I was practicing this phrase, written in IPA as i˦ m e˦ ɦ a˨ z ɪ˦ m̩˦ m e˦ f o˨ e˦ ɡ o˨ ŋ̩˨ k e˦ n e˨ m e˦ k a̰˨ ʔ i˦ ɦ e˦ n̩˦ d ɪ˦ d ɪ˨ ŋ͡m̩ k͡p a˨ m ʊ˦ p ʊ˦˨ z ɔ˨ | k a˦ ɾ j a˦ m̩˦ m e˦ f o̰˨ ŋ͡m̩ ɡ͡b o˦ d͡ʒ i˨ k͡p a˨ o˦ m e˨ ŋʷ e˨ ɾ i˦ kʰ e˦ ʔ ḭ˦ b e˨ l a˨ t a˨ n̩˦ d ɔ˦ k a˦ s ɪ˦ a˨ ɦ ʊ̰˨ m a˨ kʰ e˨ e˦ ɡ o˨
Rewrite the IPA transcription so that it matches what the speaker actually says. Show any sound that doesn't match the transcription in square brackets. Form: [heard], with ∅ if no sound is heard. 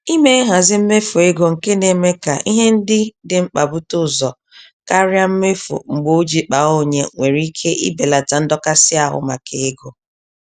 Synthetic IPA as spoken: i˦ m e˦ ɦ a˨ z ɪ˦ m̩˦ m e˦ f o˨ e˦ ɡ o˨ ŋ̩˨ k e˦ n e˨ m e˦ k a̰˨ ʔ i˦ ɦ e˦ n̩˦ d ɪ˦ d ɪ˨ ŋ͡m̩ k͡p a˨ [b] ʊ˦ [t] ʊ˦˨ z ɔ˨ | k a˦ ɾ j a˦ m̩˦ m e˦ f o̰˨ ŋ͡m̩ ɡ͡b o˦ d͡ʒ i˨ k͡p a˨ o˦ [ɲ] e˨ ŋʷ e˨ ɾ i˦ kʰ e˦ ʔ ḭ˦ b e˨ l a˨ t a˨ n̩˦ d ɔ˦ k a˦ s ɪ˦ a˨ ɦ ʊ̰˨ m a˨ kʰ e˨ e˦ ɡ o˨